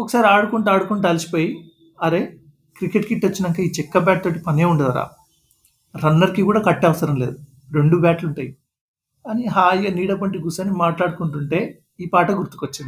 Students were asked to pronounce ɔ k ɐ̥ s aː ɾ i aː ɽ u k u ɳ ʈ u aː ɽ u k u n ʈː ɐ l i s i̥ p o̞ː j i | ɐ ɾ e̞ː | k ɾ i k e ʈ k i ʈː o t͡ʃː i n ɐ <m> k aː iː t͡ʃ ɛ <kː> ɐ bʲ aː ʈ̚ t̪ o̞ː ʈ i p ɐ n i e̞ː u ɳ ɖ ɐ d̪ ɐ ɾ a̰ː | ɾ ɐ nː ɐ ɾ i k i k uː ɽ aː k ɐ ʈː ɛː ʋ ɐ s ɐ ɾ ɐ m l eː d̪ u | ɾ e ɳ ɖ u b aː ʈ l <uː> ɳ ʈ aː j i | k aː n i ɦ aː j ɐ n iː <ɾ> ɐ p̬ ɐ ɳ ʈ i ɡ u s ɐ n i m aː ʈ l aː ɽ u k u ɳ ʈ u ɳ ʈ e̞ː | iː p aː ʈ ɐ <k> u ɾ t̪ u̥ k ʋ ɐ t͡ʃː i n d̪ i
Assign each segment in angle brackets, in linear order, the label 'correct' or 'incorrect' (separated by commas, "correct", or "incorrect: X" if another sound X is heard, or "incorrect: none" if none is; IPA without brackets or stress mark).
incorrect: ŋ, correct, incorrect: u, incorrect: ɽ, incorrect: ɡ